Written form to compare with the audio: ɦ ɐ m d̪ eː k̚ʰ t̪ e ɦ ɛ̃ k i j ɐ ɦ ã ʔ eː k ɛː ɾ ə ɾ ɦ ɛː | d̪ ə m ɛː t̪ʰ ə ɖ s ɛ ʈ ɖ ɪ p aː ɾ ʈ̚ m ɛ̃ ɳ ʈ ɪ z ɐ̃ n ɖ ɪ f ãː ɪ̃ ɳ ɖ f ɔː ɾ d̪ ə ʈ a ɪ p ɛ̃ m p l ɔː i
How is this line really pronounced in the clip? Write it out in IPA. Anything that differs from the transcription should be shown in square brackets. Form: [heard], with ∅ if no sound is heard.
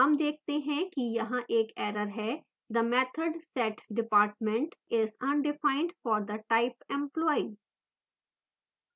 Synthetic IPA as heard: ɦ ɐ m d̪ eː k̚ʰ t̪ e ɦ ɛ̃ k i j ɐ ɦ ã ʔ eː k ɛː ɾ ə ɾ ɦ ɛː | d̪ ə m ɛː t̪ʰ ə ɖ s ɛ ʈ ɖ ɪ p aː ɾ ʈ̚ m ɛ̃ ɳ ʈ ɪ z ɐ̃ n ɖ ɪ f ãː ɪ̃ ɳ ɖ f ɔː ɾ d̪ ə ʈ a ɪ p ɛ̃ m p l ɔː i